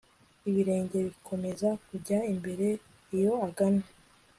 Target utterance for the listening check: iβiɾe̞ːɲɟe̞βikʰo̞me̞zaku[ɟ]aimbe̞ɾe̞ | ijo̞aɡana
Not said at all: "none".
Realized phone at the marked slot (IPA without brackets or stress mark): ɟ